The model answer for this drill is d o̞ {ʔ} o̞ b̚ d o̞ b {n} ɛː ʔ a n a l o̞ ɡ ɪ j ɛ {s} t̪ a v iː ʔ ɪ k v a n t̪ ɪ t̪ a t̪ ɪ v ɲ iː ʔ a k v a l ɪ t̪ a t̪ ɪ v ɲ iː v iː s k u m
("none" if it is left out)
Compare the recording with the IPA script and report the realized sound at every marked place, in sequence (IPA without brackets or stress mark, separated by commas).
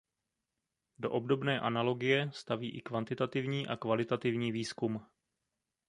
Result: ʔ, n, s